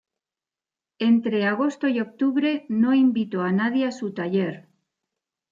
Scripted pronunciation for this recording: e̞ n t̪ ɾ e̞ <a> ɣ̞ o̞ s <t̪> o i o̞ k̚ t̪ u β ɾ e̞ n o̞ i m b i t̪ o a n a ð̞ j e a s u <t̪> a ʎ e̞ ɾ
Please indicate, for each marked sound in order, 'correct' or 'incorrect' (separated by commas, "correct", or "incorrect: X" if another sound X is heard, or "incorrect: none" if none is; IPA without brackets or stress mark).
correct, correct, correct